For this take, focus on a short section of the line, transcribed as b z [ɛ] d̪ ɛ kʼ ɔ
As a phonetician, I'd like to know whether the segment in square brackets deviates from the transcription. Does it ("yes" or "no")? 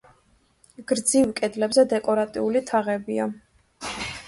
no